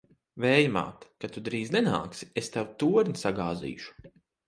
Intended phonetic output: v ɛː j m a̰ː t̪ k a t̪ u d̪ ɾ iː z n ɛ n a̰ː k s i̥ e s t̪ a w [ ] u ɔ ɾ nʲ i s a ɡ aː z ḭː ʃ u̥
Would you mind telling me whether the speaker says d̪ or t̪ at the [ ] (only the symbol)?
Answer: t̪